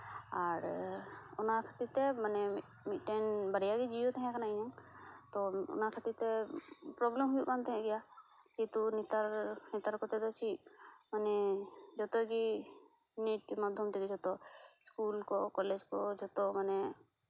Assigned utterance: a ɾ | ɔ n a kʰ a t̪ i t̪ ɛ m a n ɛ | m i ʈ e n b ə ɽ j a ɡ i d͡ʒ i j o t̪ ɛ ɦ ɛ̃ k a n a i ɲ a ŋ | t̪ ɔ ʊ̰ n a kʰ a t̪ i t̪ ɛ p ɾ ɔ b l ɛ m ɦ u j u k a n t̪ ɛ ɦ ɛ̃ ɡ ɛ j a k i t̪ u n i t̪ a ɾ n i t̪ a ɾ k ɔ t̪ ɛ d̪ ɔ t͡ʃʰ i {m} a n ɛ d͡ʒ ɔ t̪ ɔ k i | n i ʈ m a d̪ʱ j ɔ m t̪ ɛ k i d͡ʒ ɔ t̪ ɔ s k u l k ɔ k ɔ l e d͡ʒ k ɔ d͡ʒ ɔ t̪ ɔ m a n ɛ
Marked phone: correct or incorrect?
correct